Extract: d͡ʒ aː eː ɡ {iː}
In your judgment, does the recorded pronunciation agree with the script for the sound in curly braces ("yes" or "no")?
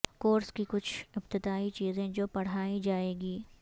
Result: yes